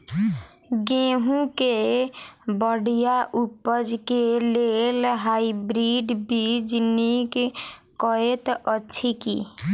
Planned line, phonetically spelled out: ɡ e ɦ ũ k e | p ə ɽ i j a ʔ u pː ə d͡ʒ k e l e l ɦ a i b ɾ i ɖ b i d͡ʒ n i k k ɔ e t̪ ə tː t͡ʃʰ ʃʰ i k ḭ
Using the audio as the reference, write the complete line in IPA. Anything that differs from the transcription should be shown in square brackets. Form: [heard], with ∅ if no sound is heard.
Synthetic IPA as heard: ɡ e ɦ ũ k e | [b] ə ɽ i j a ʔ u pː ə d͡ʒ k e l e l ɦ a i b ɾ i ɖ b i d͡ʒ n i k k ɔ e t̪ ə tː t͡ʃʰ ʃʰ i k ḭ